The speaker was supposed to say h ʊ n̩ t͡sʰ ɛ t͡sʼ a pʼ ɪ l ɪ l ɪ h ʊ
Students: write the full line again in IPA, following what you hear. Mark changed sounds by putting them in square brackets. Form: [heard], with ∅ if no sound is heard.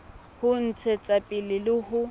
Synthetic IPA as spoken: h ʊ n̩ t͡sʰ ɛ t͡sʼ a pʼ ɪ l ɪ l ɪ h ʊ